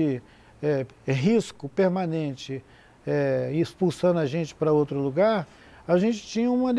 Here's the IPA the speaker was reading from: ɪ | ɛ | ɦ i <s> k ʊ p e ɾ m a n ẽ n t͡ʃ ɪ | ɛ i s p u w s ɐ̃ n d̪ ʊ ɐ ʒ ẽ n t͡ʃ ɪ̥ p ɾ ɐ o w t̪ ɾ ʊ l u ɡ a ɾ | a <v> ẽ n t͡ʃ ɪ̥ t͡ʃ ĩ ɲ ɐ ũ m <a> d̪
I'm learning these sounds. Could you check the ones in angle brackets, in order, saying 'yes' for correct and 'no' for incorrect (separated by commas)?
yes, no, no